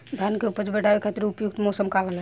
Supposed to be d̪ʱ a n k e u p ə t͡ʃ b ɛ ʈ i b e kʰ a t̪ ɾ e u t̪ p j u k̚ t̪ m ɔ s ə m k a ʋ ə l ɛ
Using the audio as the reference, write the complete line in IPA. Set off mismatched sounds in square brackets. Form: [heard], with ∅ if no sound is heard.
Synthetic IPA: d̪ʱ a n k e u p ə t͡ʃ b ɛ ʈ [a] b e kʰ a t̪ ɾ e u [∅] p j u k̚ t̪ m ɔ s ə m k a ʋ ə l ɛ